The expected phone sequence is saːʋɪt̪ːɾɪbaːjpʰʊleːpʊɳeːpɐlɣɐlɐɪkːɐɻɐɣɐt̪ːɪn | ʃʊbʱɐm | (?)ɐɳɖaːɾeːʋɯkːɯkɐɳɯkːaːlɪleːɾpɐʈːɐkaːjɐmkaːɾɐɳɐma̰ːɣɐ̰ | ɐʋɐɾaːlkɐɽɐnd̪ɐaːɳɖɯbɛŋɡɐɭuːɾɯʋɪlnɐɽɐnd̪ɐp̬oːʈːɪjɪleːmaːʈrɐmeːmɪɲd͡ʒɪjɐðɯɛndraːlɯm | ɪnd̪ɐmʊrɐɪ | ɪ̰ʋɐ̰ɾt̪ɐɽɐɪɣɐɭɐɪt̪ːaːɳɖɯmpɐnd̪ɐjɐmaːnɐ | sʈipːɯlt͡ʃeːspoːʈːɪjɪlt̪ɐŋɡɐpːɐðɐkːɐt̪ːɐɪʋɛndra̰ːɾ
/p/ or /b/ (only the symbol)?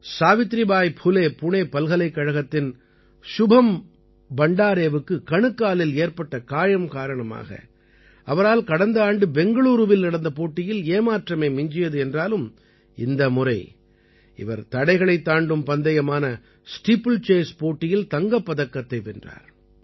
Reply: b